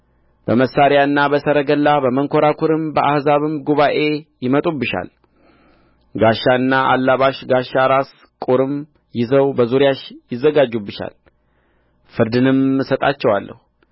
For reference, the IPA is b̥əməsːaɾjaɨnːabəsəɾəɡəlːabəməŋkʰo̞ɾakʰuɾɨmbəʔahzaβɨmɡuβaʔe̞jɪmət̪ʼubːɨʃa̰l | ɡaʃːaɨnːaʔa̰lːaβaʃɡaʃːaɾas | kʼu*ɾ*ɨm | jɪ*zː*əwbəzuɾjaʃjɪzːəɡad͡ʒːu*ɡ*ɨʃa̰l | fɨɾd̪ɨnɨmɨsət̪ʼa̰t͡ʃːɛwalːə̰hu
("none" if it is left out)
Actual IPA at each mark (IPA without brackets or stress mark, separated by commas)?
ɾ, z, b